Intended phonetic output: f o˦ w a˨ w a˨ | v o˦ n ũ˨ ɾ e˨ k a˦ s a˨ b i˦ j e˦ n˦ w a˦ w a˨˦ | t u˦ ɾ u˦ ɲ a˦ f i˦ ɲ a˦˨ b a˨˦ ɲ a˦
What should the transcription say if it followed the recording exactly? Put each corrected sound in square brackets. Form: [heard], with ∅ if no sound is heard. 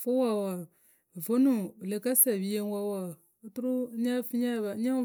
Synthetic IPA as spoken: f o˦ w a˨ w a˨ | v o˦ n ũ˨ [l] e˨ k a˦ s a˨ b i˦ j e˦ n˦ w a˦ w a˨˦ | t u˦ ɾ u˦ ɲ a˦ f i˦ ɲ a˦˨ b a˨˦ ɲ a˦

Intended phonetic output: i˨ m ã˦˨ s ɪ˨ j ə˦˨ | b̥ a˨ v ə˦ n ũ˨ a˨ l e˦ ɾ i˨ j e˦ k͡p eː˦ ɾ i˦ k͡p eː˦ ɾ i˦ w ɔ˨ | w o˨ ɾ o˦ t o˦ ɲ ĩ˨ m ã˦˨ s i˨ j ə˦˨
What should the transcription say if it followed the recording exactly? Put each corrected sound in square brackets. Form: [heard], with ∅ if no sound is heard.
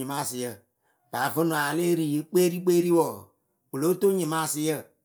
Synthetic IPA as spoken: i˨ m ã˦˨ s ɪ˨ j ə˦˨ | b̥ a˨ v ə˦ n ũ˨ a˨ l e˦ ɾ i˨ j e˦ k͡p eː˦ ɾ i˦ k͡p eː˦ ɾ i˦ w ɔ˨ | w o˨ [l] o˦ t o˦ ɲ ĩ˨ m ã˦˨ s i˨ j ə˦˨

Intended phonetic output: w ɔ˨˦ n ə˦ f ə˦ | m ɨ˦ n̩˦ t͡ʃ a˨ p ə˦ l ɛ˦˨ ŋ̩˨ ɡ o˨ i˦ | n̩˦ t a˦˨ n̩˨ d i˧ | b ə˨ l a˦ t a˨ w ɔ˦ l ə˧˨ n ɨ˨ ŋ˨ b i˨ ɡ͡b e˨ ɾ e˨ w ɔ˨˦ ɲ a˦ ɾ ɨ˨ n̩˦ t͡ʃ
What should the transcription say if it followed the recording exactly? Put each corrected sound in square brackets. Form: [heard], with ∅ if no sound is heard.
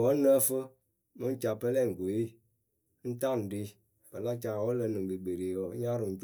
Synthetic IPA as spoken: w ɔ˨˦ n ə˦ f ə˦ | m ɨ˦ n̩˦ t͡ʃ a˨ p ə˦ l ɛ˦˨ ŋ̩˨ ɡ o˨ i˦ | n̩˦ t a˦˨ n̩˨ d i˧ | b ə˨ l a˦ [t͡ʃ] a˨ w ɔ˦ l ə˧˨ n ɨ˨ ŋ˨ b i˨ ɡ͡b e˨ ɾ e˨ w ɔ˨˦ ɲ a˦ ɾ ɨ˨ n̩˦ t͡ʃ

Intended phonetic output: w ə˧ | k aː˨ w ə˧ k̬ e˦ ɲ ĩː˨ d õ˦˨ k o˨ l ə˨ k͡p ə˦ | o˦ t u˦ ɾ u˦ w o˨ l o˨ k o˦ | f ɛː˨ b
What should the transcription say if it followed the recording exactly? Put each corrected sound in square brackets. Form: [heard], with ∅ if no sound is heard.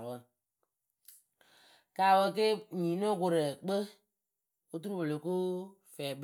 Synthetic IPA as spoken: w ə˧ | k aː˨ w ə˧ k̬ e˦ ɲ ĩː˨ [n] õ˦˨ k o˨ [ɾ] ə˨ k͡p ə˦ | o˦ t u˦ ɾ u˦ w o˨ l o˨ k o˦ | f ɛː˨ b

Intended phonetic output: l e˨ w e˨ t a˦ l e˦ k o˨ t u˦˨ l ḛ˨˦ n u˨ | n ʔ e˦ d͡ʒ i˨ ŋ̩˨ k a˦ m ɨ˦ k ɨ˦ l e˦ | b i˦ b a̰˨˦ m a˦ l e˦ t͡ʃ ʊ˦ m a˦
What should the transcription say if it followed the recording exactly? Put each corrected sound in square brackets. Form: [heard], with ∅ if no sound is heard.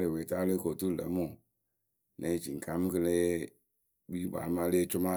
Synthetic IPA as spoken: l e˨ w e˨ t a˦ l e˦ k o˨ t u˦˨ l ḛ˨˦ [m] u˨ | n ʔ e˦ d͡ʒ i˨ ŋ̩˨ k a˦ m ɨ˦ k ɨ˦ l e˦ | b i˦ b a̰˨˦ m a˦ l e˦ t͡ʃ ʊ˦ m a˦

